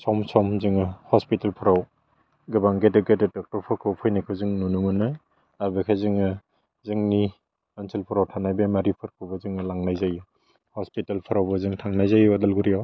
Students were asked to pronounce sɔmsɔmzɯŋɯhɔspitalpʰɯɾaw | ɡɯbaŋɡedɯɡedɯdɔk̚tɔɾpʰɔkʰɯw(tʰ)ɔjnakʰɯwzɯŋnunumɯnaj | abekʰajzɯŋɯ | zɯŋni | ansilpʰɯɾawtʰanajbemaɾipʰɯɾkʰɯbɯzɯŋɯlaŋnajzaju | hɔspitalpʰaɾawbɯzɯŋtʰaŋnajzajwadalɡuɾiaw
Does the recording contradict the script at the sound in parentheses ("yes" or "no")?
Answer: yes